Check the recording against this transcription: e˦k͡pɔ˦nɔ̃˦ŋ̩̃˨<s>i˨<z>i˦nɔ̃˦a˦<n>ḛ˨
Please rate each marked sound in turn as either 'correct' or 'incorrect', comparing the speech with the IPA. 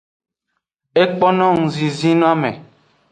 incorrect: z, correct, incorrect: m

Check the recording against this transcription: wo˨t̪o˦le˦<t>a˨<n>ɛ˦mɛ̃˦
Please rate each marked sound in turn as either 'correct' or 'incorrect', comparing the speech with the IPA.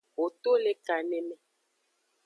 incorrect: k, correct

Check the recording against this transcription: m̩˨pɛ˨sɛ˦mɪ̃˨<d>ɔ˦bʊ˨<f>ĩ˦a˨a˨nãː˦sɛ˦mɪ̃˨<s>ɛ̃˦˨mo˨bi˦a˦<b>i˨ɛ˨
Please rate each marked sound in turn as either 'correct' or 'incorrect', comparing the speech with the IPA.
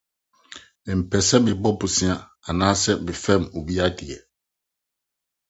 incorrect: b, incorrect: s, incorrect: f, incorrect: d

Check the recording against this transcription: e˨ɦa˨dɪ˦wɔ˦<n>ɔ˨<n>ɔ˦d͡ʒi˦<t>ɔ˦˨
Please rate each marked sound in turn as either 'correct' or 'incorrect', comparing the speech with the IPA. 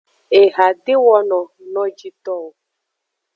correct, correct, correct

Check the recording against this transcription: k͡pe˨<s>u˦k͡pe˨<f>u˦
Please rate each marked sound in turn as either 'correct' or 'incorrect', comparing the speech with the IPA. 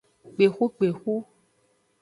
incorrect: x, incorrect: x

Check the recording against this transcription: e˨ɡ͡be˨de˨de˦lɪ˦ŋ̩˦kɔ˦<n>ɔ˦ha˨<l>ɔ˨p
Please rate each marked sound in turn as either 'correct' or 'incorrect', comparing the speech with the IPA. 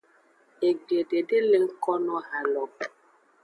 correct, correct

